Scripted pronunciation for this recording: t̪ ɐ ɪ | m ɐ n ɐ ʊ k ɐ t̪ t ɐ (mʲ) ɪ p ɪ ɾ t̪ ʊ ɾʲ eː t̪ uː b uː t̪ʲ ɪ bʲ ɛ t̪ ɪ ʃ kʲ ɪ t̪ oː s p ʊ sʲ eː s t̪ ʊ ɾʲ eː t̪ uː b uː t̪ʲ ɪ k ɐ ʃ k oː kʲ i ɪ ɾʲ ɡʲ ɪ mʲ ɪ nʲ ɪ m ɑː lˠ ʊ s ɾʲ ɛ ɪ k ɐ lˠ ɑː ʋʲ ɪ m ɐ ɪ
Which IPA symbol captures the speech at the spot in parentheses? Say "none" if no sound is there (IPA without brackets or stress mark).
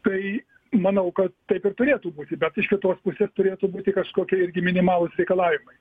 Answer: none